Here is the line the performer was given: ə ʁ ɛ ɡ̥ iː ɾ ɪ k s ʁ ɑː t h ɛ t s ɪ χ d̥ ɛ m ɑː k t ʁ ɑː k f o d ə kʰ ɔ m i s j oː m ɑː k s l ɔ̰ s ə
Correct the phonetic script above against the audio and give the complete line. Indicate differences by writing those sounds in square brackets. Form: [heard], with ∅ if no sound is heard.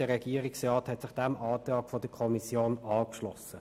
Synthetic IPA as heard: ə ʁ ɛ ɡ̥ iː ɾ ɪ k s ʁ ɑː t h ɛ t s ɪ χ d̥ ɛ m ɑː [∅] t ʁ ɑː k f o d ə kʰ ɔ m i s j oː [n] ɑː k [ʃ] l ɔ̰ s ə